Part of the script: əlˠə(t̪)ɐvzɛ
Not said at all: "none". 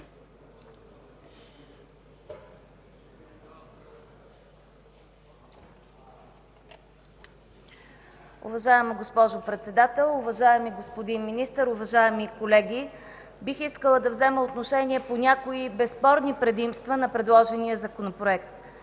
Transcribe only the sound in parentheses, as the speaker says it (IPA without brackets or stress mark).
d̪